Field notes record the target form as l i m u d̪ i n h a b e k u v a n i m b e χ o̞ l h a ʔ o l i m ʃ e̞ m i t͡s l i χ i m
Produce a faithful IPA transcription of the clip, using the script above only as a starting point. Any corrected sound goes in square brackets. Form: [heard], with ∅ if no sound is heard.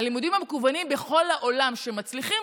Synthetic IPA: l i m u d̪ i [m] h a [m] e k u v a n i m b e χ o̞ l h a ʔ o l [a] m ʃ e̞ m [a] t͡s l i χ i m